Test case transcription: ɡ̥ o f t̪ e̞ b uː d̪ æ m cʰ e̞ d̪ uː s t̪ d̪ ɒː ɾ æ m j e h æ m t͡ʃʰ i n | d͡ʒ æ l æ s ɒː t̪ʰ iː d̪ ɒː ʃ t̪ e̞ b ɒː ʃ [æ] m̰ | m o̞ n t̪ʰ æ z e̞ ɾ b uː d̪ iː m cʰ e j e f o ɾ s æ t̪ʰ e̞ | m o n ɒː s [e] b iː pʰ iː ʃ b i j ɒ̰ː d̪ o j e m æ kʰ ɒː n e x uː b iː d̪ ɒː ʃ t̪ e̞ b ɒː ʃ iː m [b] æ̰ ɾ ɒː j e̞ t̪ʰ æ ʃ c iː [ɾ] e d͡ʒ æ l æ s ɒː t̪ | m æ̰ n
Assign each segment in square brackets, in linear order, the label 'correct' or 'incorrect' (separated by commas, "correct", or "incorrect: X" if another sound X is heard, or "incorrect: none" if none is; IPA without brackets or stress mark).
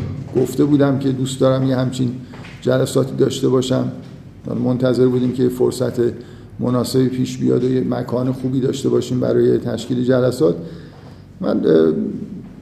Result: correct, correct, correct, incorrect: l